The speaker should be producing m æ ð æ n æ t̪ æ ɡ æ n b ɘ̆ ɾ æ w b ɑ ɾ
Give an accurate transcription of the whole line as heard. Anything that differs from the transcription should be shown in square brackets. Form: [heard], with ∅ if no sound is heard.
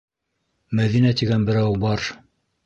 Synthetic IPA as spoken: m æ ð [i] n æ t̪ [i] ɡ æ n b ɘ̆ ɾ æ w b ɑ ɾ